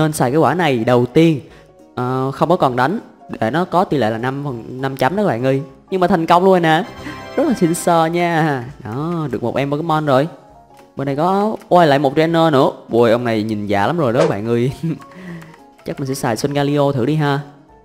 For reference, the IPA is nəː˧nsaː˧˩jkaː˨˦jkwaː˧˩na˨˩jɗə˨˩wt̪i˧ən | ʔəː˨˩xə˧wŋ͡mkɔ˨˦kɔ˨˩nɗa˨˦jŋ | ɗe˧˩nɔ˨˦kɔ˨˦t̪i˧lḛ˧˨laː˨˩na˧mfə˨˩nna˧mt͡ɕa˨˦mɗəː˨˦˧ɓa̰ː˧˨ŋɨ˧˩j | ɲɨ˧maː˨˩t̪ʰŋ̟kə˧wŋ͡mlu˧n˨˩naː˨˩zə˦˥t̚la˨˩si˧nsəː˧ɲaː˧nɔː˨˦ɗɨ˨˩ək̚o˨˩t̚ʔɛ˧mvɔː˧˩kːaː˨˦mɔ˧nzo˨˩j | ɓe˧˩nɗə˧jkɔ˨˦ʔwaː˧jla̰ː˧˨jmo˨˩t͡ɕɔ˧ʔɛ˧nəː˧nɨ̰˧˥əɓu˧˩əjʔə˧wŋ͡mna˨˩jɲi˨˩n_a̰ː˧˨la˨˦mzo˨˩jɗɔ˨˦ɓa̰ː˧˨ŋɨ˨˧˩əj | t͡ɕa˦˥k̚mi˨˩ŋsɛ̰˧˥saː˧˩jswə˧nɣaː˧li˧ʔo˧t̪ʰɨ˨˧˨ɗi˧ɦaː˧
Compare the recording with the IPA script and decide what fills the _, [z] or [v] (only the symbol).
z